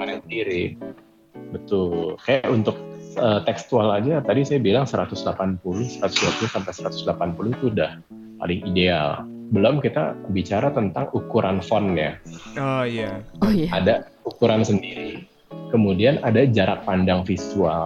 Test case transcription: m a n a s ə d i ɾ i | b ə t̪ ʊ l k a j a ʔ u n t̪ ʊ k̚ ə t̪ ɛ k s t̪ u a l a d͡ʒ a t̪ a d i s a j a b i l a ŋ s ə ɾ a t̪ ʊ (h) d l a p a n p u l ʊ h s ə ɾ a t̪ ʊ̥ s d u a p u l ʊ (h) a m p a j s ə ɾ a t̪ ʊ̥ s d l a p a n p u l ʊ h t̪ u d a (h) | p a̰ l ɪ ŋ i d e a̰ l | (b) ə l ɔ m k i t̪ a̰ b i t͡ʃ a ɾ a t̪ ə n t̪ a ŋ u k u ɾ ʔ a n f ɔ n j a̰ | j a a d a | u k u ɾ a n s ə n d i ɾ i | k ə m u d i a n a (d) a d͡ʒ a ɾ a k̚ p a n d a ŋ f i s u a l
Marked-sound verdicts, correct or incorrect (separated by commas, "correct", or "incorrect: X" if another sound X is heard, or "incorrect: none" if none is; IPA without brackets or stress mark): incorrect: s, incorrect: s, correct, correct, correct